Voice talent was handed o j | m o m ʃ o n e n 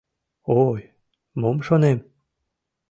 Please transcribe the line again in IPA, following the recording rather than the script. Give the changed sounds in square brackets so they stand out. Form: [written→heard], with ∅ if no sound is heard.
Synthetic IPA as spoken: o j | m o m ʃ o n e [n→m]

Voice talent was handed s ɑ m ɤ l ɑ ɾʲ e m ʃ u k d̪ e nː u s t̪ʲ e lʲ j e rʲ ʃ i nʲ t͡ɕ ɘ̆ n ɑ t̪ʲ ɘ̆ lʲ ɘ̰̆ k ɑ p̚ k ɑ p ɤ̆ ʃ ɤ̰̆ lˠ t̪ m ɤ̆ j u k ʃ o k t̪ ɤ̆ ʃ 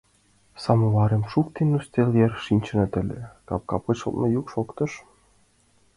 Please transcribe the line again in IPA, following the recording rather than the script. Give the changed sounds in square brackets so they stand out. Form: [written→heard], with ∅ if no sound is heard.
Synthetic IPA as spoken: s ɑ m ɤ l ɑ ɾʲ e m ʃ u k [d̪→t̪] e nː u s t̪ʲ e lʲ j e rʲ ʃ i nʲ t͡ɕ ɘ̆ n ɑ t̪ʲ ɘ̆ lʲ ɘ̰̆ k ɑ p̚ k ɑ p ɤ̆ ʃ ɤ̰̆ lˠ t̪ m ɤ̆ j u k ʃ o k t̪ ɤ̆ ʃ

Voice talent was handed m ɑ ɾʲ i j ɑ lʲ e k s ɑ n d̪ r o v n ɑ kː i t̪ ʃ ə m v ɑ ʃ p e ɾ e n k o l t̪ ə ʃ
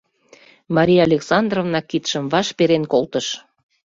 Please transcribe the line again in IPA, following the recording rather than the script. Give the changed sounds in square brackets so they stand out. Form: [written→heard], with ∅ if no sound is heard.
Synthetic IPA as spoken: m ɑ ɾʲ i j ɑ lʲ e k s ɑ n d̪ r o v n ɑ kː i t̪ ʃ ə m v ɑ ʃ p e ɾ e n k o l t̪ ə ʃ

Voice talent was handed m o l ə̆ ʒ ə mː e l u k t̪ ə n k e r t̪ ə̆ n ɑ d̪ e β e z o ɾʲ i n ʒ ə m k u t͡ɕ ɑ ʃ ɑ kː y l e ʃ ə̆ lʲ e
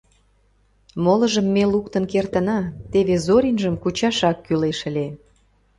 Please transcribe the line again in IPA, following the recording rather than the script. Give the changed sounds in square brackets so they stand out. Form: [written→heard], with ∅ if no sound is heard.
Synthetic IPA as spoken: m o l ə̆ ʒ ə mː e l u k t̪ ə n k e r t̪ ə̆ n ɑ [d̪→t̪] e β e z o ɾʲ i n ʒ ə m k u t͡ɕ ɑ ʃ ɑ kː y l e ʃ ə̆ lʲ e

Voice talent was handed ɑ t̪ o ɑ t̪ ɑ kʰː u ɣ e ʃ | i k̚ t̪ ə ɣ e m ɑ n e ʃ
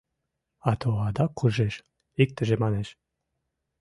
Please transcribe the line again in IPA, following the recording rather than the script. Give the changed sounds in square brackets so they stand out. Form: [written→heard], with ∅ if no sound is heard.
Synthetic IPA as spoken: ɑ t̪ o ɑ [t̪→d̪] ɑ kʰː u [ɣ→ʒ] e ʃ | i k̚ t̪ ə [ɣ→ʒ] e m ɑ n e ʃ

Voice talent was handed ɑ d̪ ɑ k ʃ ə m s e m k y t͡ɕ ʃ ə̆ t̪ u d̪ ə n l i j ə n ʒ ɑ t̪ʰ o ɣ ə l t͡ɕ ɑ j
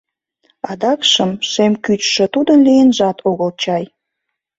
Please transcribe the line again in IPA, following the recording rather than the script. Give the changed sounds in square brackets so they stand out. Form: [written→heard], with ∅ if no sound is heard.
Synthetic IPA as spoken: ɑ d̪ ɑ k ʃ ə m [s→ʃ] e m k y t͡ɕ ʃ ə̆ t̪ u d̪ ə n l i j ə n ʒ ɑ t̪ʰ o ɣ ə l t͡ɕ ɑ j

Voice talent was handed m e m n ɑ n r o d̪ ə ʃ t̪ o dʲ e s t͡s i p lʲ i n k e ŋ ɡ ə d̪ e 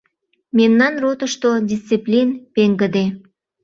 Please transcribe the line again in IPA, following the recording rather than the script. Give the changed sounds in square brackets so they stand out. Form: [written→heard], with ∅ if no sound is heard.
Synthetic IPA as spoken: m e m n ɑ n r o [d̪→t̪] ə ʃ t̪ o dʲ [e→i] s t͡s i p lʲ i n [k→p] e ŋ ɡ ə d̪ e

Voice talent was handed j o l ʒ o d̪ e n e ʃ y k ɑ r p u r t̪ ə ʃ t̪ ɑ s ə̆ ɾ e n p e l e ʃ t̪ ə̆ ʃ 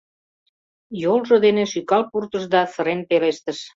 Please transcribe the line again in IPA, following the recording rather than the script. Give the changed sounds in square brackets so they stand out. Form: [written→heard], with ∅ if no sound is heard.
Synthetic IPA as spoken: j o l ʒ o d̪ e n e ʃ y k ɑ [r→l] p u r t̪ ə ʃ [t̪→d̪] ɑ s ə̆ ɾ e n p e l e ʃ t̪ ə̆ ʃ

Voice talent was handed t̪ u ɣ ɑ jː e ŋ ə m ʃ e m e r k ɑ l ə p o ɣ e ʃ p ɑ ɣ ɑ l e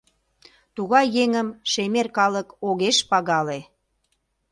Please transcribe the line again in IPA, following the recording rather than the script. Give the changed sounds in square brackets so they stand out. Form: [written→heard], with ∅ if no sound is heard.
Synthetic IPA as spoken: t̪ u ɣ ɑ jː e ŋ ə m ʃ e m e r k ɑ l ə [p→k] o ɣ e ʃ p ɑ ɣ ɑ l e

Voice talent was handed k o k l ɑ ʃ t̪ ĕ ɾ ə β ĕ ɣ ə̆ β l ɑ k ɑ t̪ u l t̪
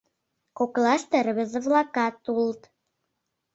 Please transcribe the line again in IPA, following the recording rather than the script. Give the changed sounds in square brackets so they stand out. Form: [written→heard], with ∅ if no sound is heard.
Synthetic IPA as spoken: k o k l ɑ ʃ t̪ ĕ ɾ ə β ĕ [ɣ→z] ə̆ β l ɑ k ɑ t̪ u l t̪

